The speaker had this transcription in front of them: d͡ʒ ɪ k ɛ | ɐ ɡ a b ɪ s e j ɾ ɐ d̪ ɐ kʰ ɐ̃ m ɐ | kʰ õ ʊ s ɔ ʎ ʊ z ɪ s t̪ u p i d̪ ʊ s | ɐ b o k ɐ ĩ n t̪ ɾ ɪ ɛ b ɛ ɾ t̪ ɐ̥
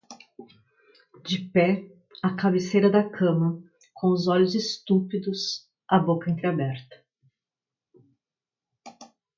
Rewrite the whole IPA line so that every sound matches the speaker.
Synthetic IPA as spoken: d͡ʒ ɪ p ɛ | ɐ k a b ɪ s e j ɾ ɐ d̪ ɐ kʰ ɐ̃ m ɐ | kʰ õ ʊ z ɔ ʎ ʊ z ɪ s t̪ u p i d̪ ʊ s | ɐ b o k ɐ ẽ n t̪ ɾ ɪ a b ɛ ɾ t̪ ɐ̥